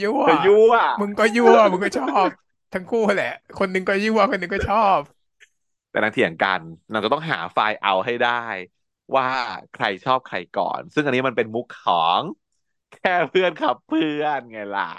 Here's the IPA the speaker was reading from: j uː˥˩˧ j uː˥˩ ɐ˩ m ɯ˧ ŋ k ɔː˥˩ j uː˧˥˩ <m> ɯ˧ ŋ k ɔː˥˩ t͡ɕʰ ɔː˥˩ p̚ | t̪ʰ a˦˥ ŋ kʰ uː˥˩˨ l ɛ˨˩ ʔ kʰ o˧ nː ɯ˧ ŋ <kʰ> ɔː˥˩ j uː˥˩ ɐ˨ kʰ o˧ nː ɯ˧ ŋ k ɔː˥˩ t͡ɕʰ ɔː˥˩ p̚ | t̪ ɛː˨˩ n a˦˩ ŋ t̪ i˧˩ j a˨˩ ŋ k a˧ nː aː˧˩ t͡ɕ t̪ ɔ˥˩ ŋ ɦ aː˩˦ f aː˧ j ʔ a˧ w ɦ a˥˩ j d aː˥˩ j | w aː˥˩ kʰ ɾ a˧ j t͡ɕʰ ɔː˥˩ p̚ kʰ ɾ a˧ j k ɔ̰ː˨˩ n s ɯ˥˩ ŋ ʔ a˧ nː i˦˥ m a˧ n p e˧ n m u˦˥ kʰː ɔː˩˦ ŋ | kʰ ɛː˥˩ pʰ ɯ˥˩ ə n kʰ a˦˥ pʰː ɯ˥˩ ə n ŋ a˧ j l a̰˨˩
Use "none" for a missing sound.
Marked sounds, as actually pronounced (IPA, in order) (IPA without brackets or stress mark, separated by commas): m, k